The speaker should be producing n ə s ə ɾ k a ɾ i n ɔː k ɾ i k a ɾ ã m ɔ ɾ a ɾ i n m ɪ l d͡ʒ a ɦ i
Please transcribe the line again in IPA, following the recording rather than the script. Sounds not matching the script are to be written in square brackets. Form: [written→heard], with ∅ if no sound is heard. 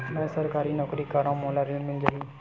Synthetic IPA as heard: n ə s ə ɾ k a ɾ i n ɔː k ɾ i k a ɾ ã m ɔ [ɾ→l] a ɾ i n m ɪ l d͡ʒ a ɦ i